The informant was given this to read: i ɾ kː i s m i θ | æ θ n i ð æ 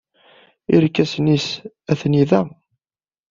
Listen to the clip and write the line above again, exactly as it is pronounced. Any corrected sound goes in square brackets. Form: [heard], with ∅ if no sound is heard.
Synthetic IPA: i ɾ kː [æ] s [n] i [s] | æ θ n i ð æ

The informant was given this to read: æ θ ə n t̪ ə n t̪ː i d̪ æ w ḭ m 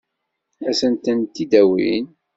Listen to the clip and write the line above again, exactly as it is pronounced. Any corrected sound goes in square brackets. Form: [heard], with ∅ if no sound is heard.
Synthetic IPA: æ [s] ə n t̪ ə n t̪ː i d̪ æ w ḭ [n]

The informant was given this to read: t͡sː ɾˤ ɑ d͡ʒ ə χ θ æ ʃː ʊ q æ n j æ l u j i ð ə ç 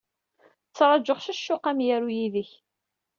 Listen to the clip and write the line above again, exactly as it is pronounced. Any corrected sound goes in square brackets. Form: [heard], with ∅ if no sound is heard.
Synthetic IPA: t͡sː ɾˤ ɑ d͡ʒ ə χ [ʃ] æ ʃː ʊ q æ [m] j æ [ɾ] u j i ð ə ç

